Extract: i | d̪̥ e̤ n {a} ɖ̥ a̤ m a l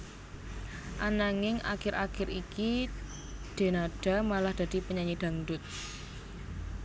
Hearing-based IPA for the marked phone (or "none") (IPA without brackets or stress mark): a